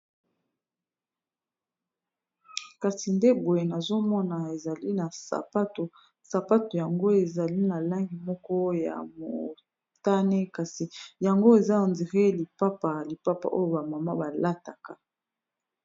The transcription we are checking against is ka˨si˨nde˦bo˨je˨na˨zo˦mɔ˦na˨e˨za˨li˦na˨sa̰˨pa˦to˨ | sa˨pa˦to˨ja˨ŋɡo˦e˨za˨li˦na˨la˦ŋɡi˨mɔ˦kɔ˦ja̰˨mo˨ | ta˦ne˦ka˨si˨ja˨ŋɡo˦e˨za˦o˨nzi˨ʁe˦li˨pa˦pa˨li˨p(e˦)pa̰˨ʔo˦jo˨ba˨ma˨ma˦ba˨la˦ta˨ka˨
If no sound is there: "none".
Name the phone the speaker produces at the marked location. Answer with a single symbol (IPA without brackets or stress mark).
a˦